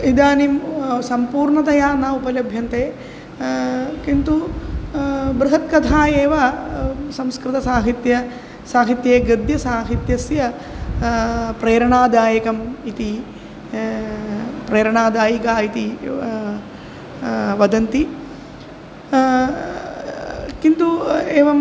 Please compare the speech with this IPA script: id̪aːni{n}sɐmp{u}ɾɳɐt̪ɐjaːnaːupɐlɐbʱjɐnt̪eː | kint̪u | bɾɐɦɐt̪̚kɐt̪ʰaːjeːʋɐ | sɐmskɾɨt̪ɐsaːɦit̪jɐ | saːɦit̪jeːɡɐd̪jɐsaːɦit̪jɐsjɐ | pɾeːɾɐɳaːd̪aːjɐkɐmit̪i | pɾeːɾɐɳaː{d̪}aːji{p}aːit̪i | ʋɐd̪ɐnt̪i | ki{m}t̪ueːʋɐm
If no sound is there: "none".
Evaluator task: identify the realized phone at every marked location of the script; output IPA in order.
m, uː, d̪, k, n

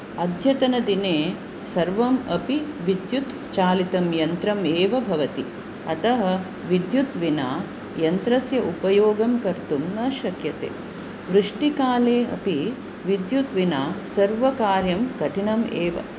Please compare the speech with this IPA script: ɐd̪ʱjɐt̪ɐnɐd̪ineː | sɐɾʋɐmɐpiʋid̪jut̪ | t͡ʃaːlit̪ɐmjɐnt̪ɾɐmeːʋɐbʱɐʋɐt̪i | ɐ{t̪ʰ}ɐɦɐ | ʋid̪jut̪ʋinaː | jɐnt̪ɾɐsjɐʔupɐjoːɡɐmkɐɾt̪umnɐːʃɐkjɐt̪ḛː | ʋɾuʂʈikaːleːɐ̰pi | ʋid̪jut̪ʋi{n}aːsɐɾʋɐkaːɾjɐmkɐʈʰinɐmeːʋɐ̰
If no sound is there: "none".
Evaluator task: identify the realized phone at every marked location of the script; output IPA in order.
t̪, n

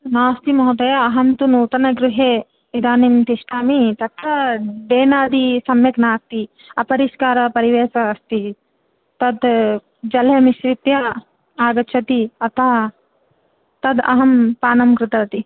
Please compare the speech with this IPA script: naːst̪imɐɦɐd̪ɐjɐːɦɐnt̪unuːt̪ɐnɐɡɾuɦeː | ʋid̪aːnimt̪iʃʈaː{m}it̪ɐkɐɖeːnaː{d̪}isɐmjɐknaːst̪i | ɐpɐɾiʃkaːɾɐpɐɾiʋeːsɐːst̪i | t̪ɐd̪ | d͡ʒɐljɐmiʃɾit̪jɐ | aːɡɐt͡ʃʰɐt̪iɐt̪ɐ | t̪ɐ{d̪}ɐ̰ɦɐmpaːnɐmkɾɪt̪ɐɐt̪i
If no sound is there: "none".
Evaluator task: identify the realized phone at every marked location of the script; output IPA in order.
m, d̪, d̪

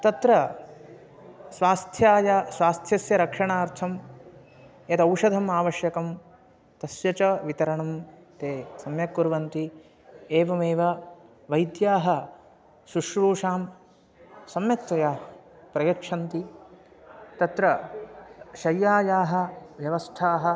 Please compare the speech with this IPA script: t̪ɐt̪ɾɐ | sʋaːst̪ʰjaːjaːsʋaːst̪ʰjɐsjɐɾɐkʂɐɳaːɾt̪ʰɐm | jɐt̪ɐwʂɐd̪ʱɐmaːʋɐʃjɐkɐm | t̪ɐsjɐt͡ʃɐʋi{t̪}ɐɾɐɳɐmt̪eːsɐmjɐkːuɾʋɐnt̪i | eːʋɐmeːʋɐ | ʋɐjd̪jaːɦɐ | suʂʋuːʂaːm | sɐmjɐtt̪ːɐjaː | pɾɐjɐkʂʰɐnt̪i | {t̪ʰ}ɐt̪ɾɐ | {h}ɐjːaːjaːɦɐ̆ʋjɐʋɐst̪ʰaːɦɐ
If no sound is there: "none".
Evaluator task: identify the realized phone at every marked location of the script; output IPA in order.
t̪, t̪, ʃ

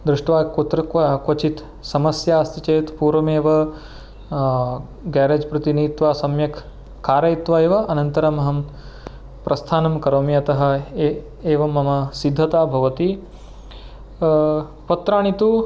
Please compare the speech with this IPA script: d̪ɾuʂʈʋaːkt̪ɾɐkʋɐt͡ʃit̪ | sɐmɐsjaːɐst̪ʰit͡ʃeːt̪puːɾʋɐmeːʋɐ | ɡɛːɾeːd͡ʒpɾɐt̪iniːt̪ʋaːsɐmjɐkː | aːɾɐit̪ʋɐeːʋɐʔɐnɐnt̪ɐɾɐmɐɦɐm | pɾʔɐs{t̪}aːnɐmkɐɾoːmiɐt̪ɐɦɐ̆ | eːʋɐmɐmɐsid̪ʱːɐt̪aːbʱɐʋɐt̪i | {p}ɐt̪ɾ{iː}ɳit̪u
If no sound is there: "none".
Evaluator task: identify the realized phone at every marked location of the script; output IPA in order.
t̪ʰ, p, aː

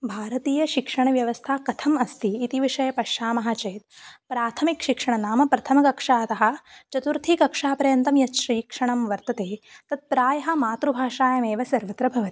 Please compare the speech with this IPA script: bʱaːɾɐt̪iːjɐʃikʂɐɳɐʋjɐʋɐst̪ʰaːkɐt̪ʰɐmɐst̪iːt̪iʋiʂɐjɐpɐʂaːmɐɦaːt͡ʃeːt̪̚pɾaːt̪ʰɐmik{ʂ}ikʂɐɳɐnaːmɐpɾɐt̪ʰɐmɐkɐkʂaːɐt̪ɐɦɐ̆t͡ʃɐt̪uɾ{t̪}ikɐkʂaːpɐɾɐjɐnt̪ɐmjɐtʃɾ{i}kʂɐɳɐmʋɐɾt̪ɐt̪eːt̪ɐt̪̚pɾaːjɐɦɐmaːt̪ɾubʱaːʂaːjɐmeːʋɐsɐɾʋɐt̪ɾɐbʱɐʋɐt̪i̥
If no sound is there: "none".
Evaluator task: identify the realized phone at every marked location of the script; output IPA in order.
ʃ, t̪ʰ, iː

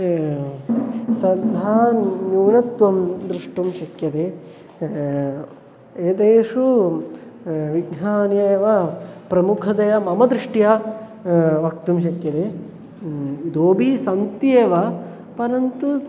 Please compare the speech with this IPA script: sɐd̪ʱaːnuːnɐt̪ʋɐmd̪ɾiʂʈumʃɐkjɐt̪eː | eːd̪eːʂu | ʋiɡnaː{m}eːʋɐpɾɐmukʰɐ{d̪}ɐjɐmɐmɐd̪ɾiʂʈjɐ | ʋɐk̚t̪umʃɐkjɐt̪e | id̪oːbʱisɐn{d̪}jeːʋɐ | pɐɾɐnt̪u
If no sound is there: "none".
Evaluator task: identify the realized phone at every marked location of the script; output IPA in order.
n, d̪, t̪

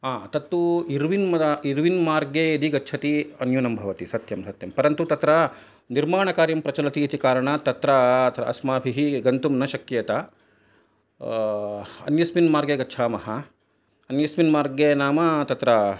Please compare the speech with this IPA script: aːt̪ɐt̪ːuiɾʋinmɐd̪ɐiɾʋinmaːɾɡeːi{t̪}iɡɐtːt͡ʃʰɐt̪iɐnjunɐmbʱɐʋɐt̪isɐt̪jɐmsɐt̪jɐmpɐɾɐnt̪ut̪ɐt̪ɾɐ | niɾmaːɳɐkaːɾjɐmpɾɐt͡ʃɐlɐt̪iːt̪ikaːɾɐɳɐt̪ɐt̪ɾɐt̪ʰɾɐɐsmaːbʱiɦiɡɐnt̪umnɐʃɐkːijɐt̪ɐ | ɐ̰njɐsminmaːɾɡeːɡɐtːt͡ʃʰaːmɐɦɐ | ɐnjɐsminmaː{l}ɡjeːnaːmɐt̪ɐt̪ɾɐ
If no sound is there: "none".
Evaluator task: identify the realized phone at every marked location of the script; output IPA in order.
d̪, ɾ

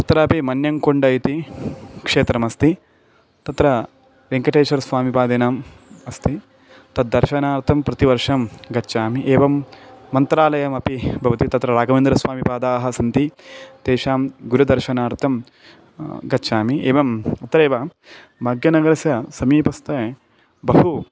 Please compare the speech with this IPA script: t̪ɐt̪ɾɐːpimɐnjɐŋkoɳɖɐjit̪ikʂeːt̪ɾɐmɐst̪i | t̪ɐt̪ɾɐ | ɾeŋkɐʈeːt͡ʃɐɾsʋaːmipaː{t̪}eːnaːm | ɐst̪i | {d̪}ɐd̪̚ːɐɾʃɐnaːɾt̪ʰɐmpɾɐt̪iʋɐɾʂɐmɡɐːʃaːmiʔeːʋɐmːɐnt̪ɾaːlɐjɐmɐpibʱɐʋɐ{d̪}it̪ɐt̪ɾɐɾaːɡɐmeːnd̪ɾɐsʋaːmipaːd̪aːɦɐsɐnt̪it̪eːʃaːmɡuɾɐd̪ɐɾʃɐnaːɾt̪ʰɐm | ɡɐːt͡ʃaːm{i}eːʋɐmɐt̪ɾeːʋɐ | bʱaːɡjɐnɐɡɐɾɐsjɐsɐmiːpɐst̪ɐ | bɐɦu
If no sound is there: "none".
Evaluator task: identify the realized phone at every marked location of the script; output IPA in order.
d̪, t̪, t̪, i

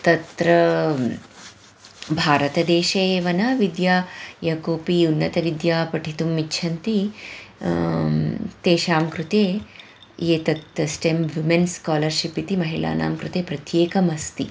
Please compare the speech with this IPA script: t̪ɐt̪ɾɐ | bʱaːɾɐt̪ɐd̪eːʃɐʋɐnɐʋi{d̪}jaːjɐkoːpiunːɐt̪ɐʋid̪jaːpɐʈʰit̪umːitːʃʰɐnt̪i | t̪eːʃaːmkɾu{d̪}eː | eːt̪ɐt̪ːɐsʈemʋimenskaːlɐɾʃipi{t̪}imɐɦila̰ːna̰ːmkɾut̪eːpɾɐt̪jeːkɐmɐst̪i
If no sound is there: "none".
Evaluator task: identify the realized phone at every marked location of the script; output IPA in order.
d̪, t̪, t̪

